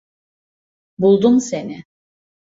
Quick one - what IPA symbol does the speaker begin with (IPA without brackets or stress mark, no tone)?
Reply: b